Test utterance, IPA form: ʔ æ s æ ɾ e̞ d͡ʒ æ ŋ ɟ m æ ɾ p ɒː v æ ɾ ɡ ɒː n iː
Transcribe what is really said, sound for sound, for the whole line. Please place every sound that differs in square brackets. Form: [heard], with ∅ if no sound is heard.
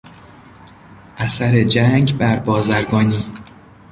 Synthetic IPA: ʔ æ s æ ɾ e̞ d͡ʒ æ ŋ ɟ [b] æ ɾ [b] ɒː [z] æ ɾ ɡ ɒː n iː